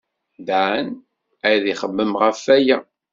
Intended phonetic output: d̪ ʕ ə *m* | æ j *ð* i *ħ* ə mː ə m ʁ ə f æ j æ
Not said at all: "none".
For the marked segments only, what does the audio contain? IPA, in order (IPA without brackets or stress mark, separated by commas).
n, ð, χ